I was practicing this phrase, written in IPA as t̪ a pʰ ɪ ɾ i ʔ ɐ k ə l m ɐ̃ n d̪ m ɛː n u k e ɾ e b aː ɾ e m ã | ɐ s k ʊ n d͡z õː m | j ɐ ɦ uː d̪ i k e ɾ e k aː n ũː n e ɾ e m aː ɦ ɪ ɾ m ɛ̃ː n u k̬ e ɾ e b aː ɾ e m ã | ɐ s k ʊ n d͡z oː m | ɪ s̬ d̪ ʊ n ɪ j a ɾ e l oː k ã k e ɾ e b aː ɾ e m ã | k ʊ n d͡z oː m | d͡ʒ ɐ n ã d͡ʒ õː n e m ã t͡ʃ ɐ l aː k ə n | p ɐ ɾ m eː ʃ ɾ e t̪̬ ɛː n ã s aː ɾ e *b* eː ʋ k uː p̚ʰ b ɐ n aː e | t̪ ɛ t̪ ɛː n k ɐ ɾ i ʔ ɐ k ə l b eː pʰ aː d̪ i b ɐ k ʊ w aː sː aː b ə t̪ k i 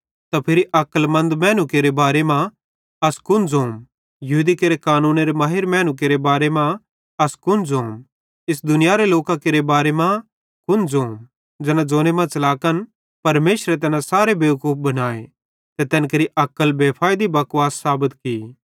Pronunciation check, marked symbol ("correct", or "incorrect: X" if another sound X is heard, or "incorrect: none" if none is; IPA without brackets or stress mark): correct